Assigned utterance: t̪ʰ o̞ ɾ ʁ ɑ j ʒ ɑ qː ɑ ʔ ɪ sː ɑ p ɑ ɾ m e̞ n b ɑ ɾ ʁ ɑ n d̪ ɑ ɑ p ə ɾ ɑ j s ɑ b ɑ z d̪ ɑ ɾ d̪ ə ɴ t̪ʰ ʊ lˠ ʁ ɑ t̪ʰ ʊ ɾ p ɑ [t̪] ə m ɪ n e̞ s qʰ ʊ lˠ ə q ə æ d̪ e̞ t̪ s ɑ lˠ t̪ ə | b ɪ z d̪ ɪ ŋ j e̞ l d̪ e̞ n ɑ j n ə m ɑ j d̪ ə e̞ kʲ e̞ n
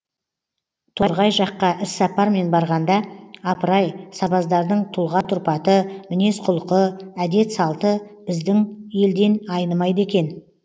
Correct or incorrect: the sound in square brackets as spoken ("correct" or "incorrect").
correct